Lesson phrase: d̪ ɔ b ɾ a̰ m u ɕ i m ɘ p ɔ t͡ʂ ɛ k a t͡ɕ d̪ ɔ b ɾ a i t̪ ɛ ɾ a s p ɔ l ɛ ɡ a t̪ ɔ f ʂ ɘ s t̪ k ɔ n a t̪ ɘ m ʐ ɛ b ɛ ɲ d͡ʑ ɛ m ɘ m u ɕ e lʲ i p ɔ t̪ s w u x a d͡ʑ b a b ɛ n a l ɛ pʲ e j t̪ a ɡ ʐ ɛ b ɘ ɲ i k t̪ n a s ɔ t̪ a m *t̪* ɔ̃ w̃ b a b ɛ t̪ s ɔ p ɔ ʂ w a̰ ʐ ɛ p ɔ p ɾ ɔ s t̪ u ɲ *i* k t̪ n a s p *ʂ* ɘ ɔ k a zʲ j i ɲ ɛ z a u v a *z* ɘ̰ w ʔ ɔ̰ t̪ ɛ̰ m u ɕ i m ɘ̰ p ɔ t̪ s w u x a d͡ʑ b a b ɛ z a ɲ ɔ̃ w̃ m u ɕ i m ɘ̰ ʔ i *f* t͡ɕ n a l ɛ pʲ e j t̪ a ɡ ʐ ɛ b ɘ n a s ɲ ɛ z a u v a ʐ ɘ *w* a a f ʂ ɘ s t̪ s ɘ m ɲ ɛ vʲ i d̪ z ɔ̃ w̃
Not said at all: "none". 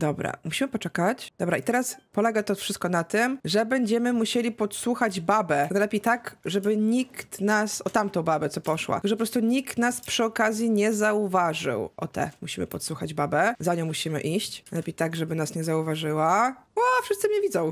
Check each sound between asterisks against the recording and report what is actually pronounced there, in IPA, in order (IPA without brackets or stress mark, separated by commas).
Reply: t̪, i, ʂ, ʐ, ɕ, w